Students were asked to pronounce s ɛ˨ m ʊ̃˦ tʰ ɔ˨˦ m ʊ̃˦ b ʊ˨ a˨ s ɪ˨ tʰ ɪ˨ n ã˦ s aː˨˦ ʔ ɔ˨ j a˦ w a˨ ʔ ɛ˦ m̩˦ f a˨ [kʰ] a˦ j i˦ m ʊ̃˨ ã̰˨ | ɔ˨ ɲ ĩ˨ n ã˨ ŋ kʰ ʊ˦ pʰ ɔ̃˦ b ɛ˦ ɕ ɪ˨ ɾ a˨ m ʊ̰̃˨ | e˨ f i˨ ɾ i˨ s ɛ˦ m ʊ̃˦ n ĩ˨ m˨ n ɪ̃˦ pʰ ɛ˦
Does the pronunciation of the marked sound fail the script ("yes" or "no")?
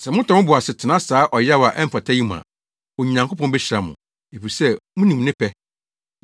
yes